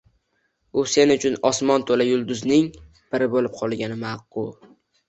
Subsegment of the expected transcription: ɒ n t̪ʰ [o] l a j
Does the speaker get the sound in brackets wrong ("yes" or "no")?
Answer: no